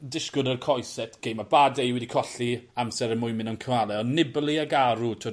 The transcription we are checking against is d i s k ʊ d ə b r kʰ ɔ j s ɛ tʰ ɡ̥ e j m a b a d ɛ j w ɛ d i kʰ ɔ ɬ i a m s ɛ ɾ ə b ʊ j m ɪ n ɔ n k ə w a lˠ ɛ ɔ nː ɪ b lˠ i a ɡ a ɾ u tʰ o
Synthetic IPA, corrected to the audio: d ɪ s k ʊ d ə r kʰ ɔ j s ɛ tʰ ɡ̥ e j m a b a d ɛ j w ɛ d i kʰ ɔ ɬ i a m s ɛ ɾ ə m ʊ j m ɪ n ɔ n kʰ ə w a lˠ ɛ ɔ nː ɪ b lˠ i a ɡ a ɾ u tʰ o